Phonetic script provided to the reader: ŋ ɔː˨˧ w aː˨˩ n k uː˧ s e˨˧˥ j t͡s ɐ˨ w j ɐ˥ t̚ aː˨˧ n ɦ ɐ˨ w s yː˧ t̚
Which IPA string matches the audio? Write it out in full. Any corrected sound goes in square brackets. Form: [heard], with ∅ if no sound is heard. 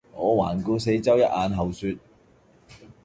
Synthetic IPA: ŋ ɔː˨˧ w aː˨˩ n k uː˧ s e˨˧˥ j t͡s [ɐ˥] w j ɐ˥ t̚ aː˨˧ n ɦ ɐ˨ w s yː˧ t̚